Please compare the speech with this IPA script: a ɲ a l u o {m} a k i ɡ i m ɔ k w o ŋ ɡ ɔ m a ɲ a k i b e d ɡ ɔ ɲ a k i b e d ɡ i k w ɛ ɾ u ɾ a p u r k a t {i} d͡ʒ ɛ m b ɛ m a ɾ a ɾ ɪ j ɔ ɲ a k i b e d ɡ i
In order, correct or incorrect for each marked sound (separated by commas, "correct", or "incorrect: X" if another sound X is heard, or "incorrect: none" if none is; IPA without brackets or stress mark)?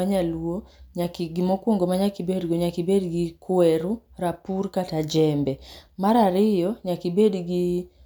incorrect: ɲ, incorrect: a